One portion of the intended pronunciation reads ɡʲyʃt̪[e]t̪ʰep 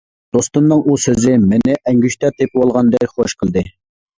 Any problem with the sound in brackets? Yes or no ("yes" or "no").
yes